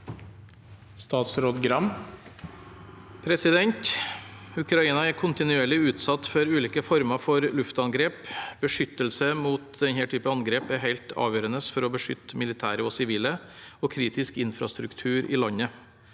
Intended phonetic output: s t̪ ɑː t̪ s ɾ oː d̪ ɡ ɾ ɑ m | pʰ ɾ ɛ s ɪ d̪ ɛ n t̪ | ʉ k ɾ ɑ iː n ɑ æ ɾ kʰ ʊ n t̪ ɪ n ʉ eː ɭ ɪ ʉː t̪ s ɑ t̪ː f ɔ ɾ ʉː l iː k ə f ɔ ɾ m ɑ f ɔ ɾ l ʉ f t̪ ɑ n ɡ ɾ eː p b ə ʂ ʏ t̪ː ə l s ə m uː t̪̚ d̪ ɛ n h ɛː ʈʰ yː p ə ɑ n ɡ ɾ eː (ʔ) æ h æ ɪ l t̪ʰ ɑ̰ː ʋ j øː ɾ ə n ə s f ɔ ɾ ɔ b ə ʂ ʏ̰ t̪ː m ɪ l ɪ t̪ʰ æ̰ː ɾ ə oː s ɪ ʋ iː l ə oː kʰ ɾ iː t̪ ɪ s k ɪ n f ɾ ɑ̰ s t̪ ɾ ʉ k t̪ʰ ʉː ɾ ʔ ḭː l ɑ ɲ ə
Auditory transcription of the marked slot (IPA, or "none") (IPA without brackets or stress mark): p